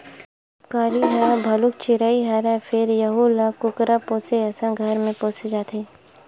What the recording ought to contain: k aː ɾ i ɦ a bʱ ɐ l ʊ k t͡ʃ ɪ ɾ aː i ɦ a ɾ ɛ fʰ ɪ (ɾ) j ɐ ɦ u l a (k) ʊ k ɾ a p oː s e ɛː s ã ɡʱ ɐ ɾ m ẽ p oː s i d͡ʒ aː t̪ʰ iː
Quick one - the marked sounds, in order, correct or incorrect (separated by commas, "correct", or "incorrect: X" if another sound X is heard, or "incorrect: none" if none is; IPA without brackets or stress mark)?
correct, correct